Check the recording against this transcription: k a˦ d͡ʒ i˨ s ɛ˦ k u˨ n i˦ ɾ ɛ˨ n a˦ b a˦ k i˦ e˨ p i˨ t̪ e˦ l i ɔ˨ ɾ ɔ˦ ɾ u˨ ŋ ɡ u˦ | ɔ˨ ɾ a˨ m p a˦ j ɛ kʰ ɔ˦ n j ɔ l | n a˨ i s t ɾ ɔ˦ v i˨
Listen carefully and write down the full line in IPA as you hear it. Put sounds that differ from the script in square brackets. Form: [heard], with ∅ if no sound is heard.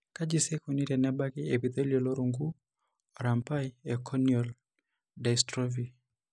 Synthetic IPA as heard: k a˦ d͡ʒ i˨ s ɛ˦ k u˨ n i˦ ɾ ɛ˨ n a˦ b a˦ k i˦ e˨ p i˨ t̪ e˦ l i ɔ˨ [l] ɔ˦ ɾ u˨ ŋ ɡ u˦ | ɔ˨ ɾ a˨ m p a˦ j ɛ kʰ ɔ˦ n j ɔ l | [d] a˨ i s t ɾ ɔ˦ v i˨